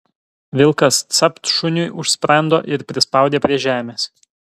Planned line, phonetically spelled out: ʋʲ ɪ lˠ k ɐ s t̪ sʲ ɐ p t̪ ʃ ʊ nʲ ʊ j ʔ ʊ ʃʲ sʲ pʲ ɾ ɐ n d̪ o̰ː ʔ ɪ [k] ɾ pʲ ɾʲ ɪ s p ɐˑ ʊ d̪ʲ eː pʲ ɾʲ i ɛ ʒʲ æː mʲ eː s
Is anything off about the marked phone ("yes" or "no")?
yes